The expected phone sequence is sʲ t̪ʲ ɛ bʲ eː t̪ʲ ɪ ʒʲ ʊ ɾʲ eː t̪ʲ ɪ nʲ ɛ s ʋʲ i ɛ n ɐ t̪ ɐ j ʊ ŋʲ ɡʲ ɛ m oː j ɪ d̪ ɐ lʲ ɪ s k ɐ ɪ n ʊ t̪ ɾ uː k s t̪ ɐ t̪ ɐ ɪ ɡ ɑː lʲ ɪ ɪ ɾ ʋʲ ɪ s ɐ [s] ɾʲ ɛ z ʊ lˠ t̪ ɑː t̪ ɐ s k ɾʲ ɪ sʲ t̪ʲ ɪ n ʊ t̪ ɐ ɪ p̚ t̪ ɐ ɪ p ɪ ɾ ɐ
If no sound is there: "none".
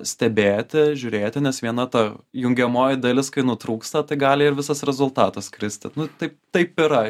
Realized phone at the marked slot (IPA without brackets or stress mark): s